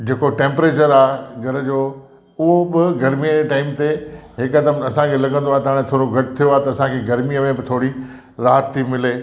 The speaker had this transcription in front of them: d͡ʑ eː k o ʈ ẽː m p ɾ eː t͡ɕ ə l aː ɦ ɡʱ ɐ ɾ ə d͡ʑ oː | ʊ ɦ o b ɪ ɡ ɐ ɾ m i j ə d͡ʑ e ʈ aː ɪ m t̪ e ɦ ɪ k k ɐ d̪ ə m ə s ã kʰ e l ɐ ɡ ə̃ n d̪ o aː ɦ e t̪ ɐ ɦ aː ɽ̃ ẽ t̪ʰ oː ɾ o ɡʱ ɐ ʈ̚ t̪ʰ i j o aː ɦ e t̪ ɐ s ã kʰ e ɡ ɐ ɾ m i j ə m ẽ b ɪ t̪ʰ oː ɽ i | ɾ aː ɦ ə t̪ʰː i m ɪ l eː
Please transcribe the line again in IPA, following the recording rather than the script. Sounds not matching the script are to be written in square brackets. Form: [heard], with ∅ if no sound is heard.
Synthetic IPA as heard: d͡ʑ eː k o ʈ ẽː m p ɾ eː t͡ɕ ə [ɾ] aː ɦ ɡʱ ɐ ɾ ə d͡ʑ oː | ʊ ɦ o b ɪ ɡ ɐ ɾ m i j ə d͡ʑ e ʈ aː ɪ m t̪ e ɦ ɪ k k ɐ d̪ ə m [ɐ] s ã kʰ e l ɐ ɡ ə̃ n d̪ o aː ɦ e t̪ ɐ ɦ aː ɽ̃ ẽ t̪ʰ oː ɾ o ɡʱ ɐ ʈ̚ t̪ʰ i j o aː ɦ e t̪ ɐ s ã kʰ e ɡ ɐ ɾ m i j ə m ẽ b ɪ t̪ʰ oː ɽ i | ɾ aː ɦ ə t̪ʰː i m ɪ l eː

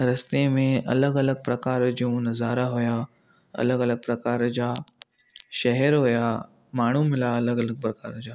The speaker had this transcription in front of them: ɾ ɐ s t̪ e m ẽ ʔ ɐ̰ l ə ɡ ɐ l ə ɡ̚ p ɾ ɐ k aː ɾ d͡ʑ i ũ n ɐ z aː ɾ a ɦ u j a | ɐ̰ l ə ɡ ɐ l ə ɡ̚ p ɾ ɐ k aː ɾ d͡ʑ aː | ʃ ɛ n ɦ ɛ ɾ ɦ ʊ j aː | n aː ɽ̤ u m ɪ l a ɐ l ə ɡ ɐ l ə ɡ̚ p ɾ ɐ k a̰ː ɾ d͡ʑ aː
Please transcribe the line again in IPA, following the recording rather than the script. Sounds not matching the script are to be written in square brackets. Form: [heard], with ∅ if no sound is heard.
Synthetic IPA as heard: ɾ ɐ s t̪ e m ẽ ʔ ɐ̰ l ə ɡ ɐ l ə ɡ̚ p ɾ ɐ k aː ɾ d͡ʑ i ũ n ɐ z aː ɾ a ɦ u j a | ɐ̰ l ə ɡ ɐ l ə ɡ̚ p ɾ ɐ k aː ɾ d͡ʑ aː | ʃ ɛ [∅] ɦ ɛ ɾ ɦ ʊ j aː | [m] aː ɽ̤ u m ɪ l a ɐ l ə ɡ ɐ l ə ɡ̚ p ɾ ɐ k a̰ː ɾ d͡ʑ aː

